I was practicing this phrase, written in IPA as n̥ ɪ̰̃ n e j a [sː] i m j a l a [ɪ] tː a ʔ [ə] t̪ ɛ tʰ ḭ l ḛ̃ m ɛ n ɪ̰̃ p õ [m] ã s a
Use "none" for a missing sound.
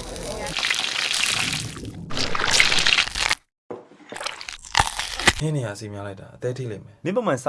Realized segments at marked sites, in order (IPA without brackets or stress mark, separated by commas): s, ɪ, ə, m